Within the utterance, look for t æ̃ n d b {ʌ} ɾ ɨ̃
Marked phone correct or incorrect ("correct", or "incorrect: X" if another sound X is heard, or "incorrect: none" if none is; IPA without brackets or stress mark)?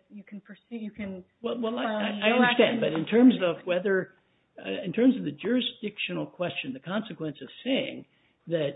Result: correct